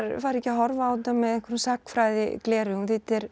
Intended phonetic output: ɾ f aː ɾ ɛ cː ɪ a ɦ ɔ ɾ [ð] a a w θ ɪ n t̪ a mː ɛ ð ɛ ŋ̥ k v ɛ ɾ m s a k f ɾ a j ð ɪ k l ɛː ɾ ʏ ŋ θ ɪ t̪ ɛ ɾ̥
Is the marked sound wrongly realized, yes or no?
yes